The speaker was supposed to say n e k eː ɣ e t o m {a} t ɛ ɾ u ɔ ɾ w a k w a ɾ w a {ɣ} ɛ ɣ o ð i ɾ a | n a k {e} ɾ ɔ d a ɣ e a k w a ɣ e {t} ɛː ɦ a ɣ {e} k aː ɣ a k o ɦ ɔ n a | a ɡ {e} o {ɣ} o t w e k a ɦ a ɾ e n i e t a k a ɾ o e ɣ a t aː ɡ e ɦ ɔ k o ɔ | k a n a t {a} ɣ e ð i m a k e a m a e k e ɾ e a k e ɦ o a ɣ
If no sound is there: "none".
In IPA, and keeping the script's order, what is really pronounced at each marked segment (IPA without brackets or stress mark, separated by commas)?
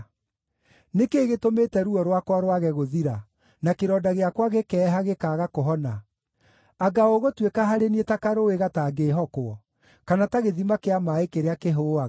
e, ɣ, e, k, e, a, ɣ, a